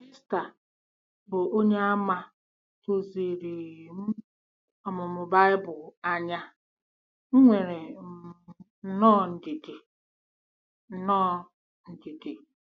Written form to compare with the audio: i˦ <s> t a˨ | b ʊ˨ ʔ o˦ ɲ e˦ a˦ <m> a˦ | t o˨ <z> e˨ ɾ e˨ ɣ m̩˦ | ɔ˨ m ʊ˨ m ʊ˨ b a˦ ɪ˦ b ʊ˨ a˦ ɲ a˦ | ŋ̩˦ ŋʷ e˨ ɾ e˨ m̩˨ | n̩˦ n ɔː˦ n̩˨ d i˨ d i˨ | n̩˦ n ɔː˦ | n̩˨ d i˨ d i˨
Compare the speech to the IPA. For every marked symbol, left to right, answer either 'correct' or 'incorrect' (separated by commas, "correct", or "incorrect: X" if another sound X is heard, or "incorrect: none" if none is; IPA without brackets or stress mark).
correct, correct, correct